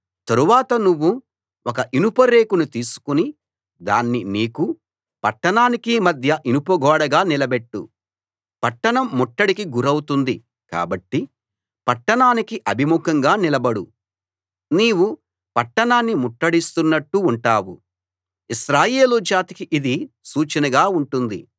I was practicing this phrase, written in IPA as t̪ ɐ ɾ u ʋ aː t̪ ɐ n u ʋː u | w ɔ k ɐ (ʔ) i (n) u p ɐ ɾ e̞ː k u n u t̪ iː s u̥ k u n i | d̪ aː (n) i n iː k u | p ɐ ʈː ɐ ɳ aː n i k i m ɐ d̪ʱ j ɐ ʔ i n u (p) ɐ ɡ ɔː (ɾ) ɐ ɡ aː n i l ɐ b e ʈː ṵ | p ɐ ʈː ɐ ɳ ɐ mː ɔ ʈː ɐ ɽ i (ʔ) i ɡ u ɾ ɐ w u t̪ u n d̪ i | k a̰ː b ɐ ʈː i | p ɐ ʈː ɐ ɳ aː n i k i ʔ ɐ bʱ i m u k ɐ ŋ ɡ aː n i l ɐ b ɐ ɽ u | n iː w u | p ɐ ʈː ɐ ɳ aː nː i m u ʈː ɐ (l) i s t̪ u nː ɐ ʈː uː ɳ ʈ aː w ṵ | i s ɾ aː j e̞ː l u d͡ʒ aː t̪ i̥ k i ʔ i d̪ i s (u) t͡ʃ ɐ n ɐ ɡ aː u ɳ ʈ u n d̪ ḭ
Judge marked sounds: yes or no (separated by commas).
yes, yes, no, yes, no, no, no, no